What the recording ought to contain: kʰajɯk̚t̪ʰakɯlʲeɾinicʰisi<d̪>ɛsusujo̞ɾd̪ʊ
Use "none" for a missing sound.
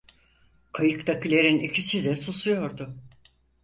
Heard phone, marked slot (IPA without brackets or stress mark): d̪